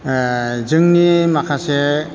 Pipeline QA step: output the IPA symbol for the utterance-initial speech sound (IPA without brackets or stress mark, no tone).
z